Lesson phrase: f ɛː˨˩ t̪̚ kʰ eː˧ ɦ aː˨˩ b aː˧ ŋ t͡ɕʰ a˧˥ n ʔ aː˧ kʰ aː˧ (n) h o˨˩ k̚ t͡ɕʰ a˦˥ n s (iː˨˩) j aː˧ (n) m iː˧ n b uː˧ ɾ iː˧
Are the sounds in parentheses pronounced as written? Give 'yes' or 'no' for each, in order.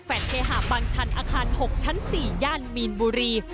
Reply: yes, yes, yes

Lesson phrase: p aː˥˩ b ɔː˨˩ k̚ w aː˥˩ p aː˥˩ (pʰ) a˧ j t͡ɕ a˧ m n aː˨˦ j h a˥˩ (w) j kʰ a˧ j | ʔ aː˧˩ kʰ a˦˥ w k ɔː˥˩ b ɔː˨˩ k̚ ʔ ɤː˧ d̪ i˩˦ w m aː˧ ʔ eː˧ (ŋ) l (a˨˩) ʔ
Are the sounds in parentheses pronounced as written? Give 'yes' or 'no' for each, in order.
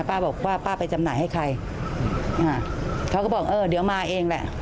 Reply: no, no, yes, no

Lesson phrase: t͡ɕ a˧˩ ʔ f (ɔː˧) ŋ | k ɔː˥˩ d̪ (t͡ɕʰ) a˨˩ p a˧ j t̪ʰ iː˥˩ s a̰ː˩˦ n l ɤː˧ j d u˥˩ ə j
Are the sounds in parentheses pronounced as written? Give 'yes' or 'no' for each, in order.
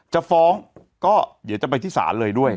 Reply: no, no

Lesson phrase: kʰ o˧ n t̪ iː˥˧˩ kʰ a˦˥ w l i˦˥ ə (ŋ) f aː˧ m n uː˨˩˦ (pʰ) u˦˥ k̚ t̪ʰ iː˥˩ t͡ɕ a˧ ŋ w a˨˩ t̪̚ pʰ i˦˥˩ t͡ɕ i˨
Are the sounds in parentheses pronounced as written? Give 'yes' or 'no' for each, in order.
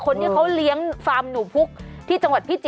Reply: yes, yes

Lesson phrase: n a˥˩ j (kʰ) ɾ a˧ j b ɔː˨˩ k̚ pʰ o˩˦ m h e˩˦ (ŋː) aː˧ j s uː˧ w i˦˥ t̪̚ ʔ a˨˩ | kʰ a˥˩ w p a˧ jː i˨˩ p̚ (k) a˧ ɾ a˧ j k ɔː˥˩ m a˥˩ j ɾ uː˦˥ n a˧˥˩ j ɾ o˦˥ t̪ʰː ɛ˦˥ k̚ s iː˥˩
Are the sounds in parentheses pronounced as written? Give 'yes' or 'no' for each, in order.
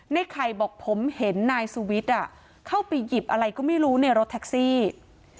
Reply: yes, no, no

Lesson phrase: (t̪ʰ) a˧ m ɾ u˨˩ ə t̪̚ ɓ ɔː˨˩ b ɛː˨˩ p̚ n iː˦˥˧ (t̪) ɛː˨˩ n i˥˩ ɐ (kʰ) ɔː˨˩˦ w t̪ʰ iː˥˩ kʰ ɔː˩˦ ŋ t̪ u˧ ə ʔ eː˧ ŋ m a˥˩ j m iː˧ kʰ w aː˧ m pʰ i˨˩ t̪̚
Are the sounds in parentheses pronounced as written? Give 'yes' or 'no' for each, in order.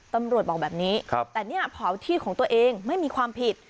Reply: no, yes, no

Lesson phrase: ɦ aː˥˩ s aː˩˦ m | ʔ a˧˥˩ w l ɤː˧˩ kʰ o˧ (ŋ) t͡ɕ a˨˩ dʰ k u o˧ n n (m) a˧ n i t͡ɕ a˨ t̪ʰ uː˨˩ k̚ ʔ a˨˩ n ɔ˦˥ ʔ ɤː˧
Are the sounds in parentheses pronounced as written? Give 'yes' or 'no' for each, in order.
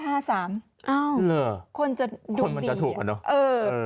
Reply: no, yes

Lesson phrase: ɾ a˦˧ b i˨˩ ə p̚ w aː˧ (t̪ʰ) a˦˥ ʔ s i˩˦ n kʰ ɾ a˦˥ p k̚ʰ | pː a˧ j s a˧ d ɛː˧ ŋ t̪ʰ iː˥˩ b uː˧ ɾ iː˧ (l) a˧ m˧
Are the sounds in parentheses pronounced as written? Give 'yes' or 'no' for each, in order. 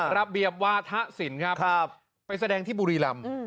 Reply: yes, yes

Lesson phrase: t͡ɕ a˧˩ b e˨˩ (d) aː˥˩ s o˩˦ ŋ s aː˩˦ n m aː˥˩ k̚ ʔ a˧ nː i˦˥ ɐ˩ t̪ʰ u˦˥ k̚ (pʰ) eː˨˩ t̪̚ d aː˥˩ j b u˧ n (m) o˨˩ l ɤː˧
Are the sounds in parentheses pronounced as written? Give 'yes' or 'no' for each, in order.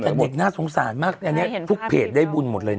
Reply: no, yes, yes

